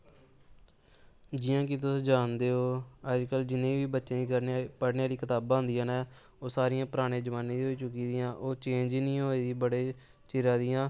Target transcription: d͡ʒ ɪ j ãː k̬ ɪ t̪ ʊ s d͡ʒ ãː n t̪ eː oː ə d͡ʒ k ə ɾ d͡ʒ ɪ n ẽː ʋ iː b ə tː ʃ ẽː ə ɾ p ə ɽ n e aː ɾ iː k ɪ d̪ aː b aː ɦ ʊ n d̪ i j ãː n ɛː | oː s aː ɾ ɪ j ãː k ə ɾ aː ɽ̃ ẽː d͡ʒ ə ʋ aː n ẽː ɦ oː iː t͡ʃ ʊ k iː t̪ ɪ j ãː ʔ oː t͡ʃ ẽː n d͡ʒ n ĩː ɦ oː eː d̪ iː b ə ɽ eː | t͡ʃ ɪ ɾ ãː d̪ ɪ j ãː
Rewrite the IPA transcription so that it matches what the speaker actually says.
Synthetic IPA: d͡ʒ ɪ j ãː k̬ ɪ t̪ ʊ s d͡ʒ aː n d̪ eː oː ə d͡ʒ k ə l d͡ʒ ɪ n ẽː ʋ iː b ə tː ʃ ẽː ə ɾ p ə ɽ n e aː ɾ iː k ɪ t̪ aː b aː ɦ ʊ n d̪ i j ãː n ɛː | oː s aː ɾ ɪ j ãː p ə ɾ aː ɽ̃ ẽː d͡ʒ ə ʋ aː n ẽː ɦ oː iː t͡ʃ ʊ k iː d̪ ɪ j ãː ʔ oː t͡ʃ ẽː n d͡ʒ n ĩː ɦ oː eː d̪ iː b ə ɽ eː | t͡ʃ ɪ ɾ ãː d̪ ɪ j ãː